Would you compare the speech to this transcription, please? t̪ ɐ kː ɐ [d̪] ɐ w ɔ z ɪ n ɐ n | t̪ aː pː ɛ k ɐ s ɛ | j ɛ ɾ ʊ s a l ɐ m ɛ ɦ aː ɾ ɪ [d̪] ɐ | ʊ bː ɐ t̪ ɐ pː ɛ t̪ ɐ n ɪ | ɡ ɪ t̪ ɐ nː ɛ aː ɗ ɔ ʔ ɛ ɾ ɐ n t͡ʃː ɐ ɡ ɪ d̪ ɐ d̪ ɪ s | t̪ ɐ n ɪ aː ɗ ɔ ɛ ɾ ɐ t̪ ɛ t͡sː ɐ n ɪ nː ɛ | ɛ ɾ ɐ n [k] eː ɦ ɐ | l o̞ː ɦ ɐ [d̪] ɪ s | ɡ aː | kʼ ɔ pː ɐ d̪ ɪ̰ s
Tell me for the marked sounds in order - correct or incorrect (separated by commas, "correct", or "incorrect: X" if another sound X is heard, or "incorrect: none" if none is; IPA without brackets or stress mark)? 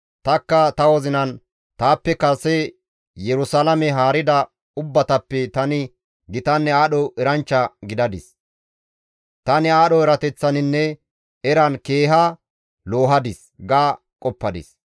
incorrect: t̪, correct, correct, correct